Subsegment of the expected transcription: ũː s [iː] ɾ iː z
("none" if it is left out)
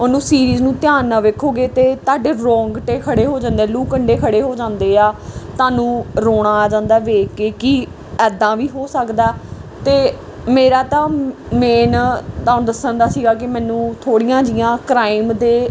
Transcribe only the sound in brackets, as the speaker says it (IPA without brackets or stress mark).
iː